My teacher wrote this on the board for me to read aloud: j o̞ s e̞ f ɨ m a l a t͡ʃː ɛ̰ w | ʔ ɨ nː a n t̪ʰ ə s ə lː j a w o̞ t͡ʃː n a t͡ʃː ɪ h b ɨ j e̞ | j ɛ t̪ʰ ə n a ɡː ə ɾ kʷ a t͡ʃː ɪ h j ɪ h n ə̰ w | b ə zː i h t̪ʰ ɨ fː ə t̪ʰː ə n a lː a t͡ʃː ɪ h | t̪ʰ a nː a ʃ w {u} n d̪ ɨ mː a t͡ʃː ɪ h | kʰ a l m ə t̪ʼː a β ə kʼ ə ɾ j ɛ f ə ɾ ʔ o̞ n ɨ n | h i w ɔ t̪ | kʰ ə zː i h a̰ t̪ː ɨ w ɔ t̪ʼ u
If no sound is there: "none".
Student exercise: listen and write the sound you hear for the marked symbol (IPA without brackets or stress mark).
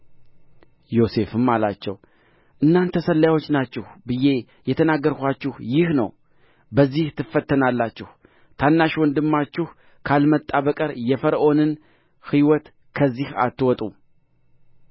ɔ